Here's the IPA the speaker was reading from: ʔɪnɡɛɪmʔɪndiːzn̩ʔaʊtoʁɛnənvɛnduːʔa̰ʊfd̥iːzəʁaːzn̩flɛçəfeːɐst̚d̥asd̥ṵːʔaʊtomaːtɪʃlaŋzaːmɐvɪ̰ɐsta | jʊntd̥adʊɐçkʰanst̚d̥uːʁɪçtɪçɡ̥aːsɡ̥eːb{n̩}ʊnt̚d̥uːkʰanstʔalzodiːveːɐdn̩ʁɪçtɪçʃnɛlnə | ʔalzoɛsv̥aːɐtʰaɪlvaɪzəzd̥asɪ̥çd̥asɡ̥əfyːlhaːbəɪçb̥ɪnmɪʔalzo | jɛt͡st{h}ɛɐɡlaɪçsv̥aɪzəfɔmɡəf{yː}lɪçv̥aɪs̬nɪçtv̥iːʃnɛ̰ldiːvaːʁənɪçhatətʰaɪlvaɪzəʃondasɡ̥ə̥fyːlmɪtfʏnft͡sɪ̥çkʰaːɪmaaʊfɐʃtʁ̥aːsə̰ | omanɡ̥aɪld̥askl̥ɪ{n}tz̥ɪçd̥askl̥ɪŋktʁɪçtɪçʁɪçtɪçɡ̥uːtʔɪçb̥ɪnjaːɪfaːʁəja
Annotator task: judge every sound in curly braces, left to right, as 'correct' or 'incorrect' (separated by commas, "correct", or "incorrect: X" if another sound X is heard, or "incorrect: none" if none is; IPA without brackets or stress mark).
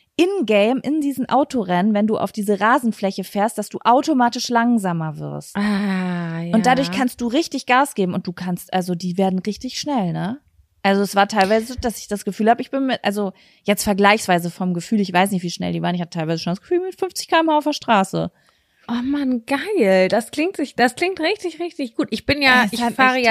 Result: incorrect: m̩, incorrect: f, correct, incorrect: ŋ